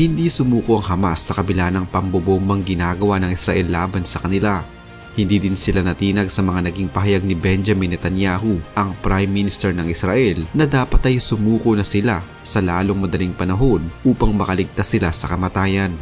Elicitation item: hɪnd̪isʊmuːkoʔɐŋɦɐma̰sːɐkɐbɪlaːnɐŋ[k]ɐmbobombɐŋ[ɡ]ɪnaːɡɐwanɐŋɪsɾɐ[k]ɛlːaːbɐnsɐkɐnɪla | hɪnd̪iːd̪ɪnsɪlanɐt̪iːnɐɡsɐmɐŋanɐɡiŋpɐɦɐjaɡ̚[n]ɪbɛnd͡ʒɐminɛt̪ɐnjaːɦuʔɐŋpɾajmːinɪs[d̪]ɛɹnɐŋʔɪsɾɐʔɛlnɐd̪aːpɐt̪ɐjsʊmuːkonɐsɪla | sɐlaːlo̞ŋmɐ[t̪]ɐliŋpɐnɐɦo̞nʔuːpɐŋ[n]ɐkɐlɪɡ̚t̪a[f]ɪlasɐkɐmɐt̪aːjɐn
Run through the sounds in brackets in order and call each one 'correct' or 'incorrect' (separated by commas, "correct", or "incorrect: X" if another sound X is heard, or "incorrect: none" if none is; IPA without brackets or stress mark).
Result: incorrect: p, correct, incorrect: ʔ, correct, incorrect: t̪, incorrect: d̪, incorrect: m, incorrect: s